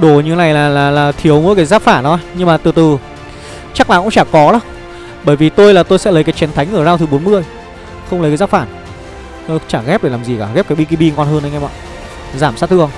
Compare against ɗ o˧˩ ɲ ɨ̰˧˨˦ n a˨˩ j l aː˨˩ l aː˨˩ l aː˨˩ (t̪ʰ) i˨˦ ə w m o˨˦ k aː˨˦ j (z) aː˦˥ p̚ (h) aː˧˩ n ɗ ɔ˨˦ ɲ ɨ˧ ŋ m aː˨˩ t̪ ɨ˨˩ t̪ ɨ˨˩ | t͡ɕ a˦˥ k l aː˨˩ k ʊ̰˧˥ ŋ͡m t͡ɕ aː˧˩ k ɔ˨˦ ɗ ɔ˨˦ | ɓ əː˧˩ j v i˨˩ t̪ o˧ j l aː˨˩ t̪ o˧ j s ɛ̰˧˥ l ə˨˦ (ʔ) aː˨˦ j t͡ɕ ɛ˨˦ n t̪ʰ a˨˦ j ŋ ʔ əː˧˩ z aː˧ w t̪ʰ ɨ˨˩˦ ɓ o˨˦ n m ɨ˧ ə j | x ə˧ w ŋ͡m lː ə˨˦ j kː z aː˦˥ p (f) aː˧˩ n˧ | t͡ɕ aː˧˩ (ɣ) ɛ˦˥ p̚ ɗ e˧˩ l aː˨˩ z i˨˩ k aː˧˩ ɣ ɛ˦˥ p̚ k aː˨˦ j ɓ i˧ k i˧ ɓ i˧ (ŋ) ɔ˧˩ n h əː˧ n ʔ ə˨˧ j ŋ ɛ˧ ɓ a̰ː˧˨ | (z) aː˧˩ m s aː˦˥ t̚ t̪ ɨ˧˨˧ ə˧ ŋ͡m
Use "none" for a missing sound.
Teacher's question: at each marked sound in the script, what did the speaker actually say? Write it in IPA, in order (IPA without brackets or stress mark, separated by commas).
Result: t̪ʰ, z, f, k, f, ɣ, ŋ, z